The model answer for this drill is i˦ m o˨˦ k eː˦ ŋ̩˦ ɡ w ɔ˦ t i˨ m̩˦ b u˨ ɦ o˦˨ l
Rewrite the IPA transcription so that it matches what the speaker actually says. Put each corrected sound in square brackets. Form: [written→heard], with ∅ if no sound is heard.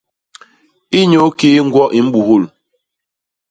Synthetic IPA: i˦ [m→ɲ] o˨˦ k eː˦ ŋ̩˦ ɡ w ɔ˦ [t→ʔ] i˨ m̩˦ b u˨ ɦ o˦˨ l